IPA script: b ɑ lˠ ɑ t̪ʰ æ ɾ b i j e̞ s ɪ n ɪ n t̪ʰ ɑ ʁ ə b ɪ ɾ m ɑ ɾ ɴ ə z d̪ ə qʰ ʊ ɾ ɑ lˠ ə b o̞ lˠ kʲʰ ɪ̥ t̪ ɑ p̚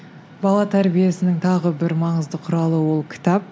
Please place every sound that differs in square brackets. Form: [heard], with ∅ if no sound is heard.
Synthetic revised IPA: b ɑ lˠ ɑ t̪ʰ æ ɾ b i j e̞ s ɪ n ɪ [ŋ] t̪ʰ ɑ ʁ ə b ɪ ɾ m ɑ [∅] ɴ ə z d̪ ə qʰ ʊ ɾ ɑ lˠ ə [w] o̞ lˠ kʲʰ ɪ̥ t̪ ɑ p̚